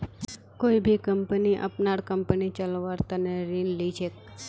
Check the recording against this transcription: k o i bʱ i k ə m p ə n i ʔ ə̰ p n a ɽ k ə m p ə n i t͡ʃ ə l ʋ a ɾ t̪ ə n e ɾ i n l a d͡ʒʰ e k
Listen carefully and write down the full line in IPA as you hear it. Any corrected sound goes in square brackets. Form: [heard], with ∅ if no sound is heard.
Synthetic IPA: k o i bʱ i k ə m p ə n i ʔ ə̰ p n a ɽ k ə m p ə n i t͡ʃ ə l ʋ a ɾ t̪ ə n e ɾ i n l [i] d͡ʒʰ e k